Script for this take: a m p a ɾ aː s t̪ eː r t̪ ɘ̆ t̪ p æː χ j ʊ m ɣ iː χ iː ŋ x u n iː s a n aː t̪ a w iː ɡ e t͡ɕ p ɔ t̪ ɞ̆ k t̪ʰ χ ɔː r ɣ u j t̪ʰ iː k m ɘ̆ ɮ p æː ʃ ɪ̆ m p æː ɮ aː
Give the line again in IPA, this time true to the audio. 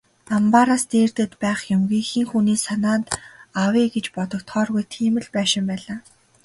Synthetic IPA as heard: a m p a ɾ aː s t̪ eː r t̪ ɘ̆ t̪ p æː χ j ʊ m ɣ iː x iː ŋ x u n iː s a n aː t̪ a w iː ɡ e t͡ɕ p ɔ t̪ ɞ̆ k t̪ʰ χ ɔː r ɣ u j t̪ʰ iː m ɘ̆ ɮ p æː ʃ ɪ̆ m p æː ɮ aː